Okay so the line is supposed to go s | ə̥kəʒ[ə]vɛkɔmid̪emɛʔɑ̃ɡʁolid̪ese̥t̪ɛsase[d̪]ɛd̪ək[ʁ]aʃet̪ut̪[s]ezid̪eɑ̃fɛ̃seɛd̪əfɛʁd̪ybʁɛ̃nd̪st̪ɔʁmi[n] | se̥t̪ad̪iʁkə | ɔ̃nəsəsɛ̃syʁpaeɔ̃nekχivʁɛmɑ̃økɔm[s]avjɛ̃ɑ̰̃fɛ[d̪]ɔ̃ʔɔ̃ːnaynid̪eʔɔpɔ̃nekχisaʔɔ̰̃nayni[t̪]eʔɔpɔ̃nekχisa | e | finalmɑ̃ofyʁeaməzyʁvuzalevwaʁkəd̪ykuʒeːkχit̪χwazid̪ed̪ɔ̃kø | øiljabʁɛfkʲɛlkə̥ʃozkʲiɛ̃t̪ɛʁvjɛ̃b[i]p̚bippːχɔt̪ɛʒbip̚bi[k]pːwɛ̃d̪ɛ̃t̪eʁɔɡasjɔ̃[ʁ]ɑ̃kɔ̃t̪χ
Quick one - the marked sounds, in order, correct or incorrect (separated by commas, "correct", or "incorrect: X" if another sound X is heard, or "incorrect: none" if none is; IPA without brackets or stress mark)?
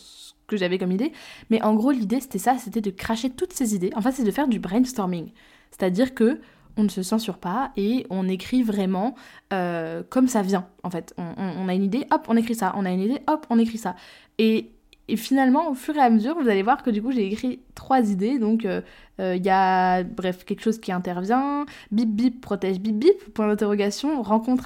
incorrect: a, incorrect: t̪, incorrect: χ, correct, incorrect: ŋ, correct, incorrect: t̪, incorrect: d̪, correct, incorrect: p, correct